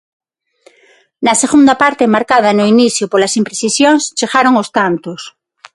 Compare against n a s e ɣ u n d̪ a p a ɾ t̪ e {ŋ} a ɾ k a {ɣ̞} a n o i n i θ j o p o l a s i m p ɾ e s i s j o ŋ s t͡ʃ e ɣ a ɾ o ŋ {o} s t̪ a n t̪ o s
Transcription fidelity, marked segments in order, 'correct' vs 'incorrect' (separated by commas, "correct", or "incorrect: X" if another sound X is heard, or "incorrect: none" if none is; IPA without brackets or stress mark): incorrect: m, incorrect: ð̞, correct